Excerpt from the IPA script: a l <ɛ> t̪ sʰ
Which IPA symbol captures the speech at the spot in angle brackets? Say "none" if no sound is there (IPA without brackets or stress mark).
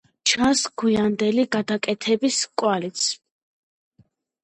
i